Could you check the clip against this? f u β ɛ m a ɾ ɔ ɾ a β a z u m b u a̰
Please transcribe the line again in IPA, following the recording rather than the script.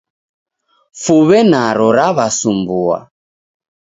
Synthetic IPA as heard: f u β ɛ n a ɾ ɔ ɾ a β a s u m b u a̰